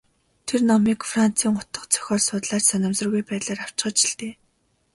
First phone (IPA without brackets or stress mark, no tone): t̪ʰ